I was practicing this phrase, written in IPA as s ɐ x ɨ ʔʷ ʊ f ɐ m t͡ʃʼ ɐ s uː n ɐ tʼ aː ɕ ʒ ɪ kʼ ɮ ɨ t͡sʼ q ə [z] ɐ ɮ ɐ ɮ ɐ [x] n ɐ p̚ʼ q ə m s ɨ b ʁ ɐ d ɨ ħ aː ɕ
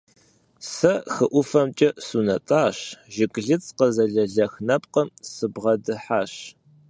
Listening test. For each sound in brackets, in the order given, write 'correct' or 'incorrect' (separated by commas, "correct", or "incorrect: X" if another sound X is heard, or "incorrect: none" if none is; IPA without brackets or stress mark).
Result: correct, correct